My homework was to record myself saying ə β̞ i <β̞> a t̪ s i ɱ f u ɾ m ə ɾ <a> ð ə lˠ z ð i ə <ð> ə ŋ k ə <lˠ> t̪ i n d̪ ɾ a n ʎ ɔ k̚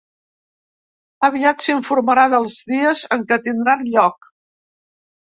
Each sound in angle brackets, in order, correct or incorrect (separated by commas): incorrect, correct, incorrect, incorrect